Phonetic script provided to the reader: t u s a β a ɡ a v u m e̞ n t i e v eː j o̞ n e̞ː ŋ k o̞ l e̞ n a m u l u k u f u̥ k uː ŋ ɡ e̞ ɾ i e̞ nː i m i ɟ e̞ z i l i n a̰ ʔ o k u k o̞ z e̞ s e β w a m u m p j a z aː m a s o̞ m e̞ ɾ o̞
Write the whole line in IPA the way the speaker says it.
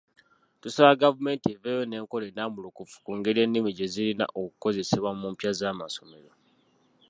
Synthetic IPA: t u s a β a ɡ a v u m e̞ n t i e v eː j o̞ n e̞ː ŋ k o̞ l e̞ n a m u l u k u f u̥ k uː ŋ ɡ e̞ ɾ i e̞ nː i m i ɟ e̞ z i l i n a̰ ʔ o k u k o̞ z e̞ s e β w a m u m p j a z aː m a s o̞ m e̞ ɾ o̞